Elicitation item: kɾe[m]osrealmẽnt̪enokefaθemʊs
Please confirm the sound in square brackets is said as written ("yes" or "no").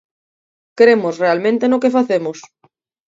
yes